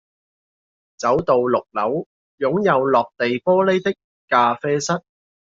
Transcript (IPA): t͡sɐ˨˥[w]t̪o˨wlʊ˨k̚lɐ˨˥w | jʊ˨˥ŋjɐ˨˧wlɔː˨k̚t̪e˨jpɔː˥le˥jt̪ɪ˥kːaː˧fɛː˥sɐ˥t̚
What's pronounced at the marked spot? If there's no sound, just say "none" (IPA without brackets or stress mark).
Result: w